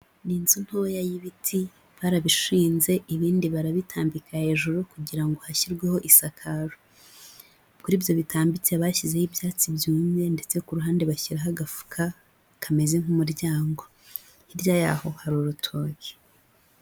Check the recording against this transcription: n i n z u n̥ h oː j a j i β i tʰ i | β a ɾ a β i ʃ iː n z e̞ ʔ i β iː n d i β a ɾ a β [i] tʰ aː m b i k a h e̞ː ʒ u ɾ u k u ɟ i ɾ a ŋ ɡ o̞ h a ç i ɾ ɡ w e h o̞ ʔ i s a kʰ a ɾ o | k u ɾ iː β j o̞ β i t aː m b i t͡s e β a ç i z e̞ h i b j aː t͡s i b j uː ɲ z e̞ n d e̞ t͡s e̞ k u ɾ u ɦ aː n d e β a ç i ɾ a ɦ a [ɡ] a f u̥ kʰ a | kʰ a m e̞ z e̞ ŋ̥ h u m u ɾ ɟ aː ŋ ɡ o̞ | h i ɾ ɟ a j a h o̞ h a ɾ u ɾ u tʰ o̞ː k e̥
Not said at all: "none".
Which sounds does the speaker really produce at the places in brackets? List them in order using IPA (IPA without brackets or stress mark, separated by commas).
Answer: i, ɡ